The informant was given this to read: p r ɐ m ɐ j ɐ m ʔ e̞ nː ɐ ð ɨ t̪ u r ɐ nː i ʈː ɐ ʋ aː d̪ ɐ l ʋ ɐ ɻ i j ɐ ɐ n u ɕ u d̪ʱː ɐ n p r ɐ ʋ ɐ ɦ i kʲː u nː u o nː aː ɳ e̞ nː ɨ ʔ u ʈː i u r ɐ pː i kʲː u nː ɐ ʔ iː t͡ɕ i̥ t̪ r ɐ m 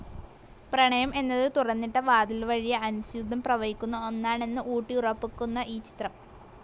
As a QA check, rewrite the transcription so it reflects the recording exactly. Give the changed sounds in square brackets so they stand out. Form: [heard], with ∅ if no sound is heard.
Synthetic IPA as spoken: p r ɐ [ɳ] ɐ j ɐ m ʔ e̞ nː ɐ ð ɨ t̪ u r ɐ nː i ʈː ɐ ʋ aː d̪ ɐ l ʋ ɐ ɻ i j ɐ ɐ n u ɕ u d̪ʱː ɐ [m] p r ɐ ʋ ɐ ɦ i kʲː u nː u o nː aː ɳ e̞ nː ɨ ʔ [uː] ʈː i u r ɐ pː i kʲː u nː ɐ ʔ iː t͡ɕ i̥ t̪ r ɐ m